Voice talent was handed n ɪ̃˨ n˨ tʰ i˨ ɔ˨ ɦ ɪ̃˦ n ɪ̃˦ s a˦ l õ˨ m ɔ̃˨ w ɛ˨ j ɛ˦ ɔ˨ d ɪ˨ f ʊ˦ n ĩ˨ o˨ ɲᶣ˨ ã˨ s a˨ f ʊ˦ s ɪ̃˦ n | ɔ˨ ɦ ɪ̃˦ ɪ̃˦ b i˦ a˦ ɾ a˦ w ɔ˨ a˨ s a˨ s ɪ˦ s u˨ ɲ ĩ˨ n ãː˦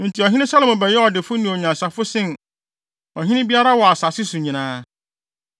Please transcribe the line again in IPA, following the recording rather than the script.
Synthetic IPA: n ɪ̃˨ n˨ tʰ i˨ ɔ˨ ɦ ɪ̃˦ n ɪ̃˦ s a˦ l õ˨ m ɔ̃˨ b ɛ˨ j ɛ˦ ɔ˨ d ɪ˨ f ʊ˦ n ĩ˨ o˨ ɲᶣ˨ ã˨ s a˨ f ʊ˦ s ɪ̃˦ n | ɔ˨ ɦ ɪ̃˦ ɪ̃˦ b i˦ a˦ ɾ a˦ w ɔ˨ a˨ s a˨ s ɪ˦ s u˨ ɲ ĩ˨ n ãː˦